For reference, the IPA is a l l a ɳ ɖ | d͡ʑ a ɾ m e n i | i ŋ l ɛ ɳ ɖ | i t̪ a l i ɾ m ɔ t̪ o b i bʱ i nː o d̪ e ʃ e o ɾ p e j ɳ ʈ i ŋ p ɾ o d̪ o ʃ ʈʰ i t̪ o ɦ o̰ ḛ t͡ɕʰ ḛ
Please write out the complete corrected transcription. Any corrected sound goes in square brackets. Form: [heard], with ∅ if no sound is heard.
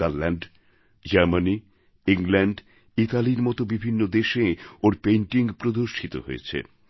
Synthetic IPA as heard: a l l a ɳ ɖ | d͡ʑ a ɾ m [a] n i | i ŋ l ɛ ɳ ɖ | i t̪ a l i ɾ m ɔ t̪ o b i bʱ i nː o d̪ e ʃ e o ɾ p e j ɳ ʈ i ŋ p ɾ o d̪ o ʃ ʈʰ i t̪ o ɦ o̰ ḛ t͡ɕʰ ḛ